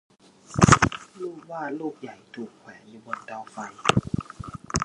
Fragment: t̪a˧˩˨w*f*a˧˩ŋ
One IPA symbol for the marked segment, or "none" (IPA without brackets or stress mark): f